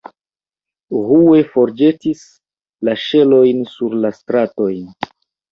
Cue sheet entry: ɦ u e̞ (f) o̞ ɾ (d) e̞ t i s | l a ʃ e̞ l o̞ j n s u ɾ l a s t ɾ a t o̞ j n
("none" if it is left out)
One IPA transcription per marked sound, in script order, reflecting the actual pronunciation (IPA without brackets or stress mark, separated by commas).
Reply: f, d͡ʒ